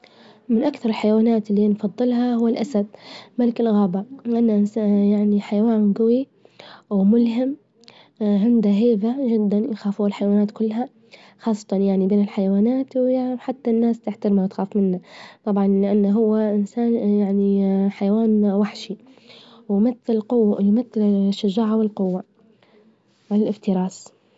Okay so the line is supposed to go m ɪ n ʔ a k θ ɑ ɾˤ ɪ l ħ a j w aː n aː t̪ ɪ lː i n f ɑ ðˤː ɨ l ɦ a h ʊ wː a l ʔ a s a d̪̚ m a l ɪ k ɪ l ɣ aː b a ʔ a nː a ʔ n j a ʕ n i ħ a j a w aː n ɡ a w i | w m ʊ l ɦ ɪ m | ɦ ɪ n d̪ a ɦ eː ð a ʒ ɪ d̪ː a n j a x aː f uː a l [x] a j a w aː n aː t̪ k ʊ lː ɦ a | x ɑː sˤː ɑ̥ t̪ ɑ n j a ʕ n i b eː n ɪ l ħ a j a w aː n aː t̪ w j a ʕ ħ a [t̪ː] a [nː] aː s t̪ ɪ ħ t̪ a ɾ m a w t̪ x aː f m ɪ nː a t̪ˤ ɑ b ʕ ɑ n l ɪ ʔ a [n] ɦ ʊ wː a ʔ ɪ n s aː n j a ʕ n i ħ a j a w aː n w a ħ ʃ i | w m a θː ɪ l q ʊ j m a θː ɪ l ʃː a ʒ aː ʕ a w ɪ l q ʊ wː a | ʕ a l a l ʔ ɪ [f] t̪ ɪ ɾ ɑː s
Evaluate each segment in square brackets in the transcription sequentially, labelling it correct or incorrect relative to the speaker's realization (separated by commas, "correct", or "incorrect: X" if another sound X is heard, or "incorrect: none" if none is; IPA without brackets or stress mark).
incorrect: ħ, correct, correct, incorrect: nː, correct